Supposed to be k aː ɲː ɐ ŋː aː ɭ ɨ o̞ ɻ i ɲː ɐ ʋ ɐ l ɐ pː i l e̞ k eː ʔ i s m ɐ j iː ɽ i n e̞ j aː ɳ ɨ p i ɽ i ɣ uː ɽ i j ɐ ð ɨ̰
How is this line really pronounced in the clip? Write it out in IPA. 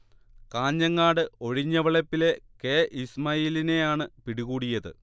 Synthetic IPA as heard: k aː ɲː ɐ ŋː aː ɽ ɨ o̞ ɻ i ɲː ɐ ʋ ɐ ɭ ɐ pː i l e̞ k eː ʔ i s m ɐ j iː l i n e̞ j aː ɳ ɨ p i ɽ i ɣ uː ɽ i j ɐ ð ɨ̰

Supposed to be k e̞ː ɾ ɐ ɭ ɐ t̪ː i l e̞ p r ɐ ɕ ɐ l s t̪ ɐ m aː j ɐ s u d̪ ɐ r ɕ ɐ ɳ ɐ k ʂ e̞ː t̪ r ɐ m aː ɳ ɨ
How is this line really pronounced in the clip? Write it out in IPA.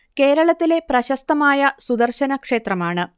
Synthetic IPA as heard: k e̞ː ɾ ɐ ɭ ɐ t̪ː i l e̞ p r ɐ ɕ ɐ s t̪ ɐ m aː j ɐ s u d̪ ɐ r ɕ ɐ n ɐ k ʂ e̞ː t̪ r ɐ m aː ɳ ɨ

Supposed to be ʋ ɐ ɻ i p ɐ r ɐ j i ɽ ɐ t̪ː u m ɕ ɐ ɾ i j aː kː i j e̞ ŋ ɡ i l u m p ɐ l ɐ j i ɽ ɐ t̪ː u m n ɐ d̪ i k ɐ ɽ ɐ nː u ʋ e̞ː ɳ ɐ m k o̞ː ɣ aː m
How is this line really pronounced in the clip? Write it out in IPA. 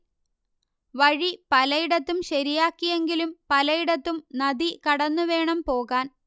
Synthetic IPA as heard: ʋ ɐ ɻ i p ɐ l ɐ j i ɽ ɐ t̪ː u m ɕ ɐ ɾ i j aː kː i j e̞ ŋ ɡ i l u m p ɐ l ɐ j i ɽ ɐ t̪ː u m n ɐ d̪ i k ɐ ɽ ɐ nː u ʋ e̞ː ɳ ɐ m p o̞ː ɣ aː n

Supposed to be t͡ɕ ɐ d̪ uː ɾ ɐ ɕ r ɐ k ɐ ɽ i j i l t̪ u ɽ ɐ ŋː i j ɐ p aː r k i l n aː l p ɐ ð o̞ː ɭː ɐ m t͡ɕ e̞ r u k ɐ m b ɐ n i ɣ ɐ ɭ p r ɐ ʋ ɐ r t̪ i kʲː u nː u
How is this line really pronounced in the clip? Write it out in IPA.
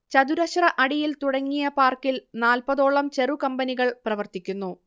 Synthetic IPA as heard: t͡ɕ ɐ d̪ u ɾ ɐ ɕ r ɐ ʔ ɐ ɽ i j i l t̪ u ɽ ɐ ŋː i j ɐ p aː r k i l n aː l p ɐ ð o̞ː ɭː ɐ m t͡ɕ e̞ r u k ɐ m b ɐ n i ɣ ɐ ɭ p r ɐ ʋ ɐ r t̪ i kʲː u nː u

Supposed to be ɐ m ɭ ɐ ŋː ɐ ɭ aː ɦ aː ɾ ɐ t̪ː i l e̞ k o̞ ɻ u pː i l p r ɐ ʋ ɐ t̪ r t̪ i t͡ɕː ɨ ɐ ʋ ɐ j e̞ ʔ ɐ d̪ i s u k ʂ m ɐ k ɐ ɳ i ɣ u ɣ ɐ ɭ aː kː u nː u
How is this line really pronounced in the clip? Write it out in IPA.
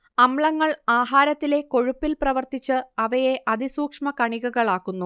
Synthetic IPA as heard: ɐ m ɭ ɐ ŋː ɐ ɭ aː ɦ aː ɾ ɐ t̪ː i l e̞ k o̞ ɻ u pː i l p r ɐ ʋ ɐ r t̪ i t͡ɕː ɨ ɐ ʋ ɐ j e̞ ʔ ɐ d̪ i s uː k ʂ m ɐ k ɐ ɳ i ɣ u ɣ ɐ ɭ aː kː u nː u

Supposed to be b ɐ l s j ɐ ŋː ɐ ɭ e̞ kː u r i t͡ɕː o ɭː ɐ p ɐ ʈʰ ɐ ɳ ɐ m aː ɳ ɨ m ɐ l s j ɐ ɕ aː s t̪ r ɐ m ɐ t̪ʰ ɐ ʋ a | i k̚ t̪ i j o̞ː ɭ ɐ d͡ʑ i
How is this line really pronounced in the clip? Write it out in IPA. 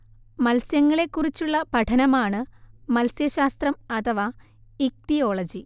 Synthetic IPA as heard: m ɐ l s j ɐ ŋː ɐ ɭ e̞ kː u r i t͡ɕː u ɭː ɐ p ɐ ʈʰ ɐ n ɐ m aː ɳ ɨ m ɐ l s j ɐ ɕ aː s t̪ r ɐ m ɐ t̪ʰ ɐ ʋ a | i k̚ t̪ i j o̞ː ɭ ɐ d͡ʑ i

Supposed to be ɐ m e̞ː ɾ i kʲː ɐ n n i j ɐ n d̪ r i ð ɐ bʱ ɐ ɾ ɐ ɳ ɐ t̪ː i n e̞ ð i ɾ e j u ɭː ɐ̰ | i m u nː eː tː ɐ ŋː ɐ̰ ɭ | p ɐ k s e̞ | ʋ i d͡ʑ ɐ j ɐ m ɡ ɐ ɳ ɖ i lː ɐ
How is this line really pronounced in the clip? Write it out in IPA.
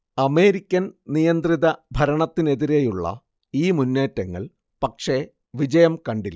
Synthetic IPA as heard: ɐ m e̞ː ɾ i kʲː ɐ n n i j ɐ n d̪ r i ð ɐ bʱ ɐ ɾ ɐ ɳ ɐ t̪ː i n e̞ ð i ɾ e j u ɭː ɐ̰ | iː m u nː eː tː ɐ ŋː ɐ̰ ɭ | p ɐ k ʂ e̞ | ʋ i d͡ʑ ɐ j ɐ m k ɐ ɳ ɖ i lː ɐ

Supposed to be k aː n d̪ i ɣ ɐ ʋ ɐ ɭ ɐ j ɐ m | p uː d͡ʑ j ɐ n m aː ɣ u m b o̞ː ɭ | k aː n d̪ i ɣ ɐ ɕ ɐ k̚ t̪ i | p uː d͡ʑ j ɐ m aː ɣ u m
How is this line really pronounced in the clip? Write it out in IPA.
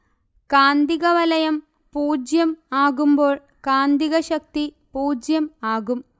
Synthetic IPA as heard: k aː n d̪ i ɣ ɐ ʋ ɐ l ɐ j ɐ m | p uː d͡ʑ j ɐ m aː ɣ u m b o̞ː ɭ | k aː n d̪ i ɣ ɐ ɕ ɐ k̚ t̪ i | p uː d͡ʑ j ɐ m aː ɣ u m

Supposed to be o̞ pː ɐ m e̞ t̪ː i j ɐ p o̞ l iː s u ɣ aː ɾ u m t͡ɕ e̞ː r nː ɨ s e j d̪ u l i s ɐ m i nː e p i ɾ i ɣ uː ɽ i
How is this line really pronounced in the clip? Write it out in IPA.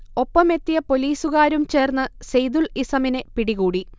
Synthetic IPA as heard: o̞ pː ɐ m e̞ t̪ː i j ɐ p o̞ l iː s u ɣ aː ɾ u m t͡ɕ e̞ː r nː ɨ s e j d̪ u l i s ɐ m i n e p i ɽ i ɣ uː ɽ i

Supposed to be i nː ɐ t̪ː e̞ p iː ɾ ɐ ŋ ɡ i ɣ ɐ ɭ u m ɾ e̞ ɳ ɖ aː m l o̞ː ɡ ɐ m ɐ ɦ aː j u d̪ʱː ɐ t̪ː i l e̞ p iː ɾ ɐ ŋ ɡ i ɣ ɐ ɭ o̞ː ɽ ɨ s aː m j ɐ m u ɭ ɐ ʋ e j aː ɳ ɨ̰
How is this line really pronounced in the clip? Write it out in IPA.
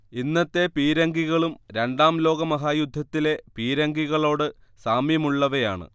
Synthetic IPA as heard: i nː ɐ t̪ː e̞ p iː ɾ ɐ ŋ ɡ i ɣ ɐ ɭ u m ɾ e̞ ɳ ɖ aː m l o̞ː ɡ ɐ m ɐ ɦ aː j u d̪ʱː ɐ t̪ː i l e̞ p iː ɾ ɐ ŋ ɡ i ɣ ɐ ɭ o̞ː ɽ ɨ s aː m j ɐ m u ɭː ɐ ʋ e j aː ɳ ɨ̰

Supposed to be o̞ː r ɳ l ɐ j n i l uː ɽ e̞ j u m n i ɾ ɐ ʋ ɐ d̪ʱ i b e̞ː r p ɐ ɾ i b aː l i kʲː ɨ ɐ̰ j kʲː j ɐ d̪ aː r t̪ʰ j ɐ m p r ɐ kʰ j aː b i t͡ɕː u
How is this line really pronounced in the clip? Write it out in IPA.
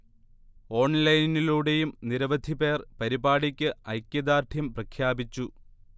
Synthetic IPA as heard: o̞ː ɳ l ɐ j n i l uː ɽ e̞ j u m n i ɾ ɐ ʋ ɐ d̪ʱ i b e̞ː r p ɐ ɾ i b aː ɽ i kʲː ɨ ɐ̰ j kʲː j ɐ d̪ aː r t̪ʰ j ɐ m p r ɐ kʰ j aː b i t͡ɕː u

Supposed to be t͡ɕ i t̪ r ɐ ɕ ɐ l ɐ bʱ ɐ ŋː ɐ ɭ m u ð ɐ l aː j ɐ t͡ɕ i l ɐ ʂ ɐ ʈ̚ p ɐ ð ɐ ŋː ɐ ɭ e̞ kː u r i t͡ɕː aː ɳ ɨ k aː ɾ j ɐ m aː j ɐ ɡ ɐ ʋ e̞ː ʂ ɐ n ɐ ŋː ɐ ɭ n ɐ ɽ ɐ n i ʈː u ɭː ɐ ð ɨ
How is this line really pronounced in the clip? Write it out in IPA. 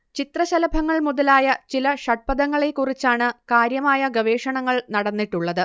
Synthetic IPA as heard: t͡ɕ i t̪ r ɐ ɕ ɐ l ɐ bʱ ɐ ŋː ɐ ɭ m u ð ɐ l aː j ɐ t͡ɕ i l ɐ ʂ ɐ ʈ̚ p ɐ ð ɐ ŋː ɐ ɭ e̞ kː u r i t͡ɕː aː ɳ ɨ k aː ɾ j ɐ m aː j ɐ ɡ ɐ ʋ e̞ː ʂ ɐ ɳ ɐ ŋː ɐ ɭ n ɐ ɽ ɐ nː i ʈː u ɭː ɐ ð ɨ

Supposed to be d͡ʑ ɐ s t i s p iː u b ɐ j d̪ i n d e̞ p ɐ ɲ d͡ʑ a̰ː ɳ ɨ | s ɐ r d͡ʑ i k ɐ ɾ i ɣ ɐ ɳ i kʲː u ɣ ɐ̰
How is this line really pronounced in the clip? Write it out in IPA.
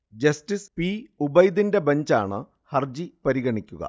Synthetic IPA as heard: d͡ʑ ɐ s t i s p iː u b ɐ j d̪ i n d e̞ b ɐ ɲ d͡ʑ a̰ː ɳ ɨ | h ɐ r d͡ʑ i p ɐ ɾ i ɣ ɐ ɳ i kʲː u ɣ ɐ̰

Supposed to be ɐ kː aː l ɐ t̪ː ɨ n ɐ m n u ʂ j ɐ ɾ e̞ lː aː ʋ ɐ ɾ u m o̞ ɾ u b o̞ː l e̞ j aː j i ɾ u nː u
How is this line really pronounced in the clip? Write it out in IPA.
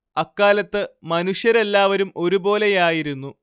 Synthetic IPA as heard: ɐ kː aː l ɐ t̪ː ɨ m ɐ n u ʂ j ɐ ɾ e̞ lː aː ʋ ɐ ɾ u m o̞ ɾ u b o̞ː l e̞ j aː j i ɾ u nː u

